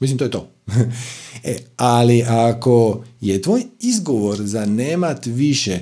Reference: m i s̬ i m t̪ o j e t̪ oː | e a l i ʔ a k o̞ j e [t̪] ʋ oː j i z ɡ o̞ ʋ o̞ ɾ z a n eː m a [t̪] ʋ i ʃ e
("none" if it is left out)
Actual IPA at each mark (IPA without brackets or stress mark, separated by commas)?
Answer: t̪, t̪